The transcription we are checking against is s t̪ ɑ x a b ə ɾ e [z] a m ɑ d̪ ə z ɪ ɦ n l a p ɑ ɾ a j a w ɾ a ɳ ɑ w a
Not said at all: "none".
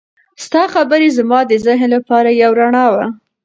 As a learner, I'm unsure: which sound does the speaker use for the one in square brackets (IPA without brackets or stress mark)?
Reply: z